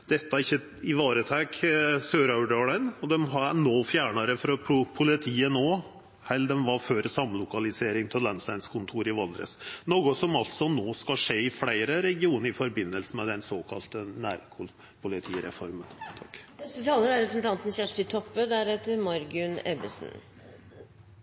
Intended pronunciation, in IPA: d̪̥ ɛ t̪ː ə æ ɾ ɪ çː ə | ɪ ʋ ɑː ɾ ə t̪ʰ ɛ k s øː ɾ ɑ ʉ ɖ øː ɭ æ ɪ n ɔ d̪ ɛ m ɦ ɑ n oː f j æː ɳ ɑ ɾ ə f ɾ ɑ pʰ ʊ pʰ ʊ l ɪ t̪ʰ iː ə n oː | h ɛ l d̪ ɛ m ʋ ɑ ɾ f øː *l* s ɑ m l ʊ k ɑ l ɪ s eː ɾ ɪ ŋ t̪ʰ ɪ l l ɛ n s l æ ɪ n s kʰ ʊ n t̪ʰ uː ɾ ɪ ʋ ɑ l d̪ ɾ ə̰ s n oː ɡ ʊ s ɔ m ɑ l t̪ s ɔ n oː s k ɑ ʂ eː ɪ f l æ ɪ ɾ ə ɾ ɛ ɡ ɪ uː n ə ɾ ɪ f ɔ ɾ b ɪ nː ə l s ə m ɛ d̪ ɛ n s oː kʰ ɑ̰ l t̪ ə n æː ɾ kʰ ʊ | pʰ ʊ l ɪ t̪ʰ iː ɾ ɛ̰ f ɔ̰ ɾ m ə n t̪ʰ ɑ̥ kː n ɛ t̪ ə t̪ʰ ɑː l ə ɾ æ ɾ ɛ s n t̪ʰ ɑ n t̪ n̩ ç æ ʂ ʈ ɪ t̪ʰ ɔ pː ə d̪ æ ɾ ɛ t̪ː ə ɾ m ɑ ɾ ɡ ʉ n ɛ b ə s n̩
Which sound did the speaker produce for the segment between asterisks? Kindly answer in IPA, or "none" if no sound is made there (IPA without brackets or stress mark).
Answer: ɾ